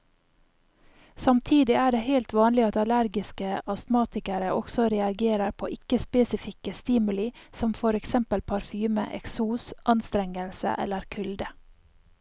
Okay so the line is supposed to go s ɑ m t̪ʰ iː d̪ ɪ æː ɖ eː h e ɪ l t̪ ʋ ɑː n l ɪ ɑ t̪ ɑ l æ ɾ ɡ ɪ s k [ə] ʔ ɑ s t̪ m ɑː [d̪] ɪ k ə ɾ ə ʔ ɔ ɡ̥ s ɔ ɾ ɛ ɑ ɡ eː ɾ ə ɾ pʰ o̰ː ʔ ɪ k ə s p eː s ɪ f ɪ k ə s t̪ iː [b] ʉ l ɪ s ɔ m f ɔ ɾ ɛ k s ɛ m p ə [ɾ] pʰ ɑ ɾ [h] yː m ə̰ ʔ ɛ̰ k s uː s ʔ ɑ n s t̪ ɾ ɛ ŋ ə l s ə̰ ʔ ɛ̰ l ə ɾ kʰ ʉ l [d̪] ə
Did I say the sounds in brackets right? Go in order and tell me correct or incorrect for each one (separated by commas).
correct, incorrect, incorrect, incorrect, incorrect, correct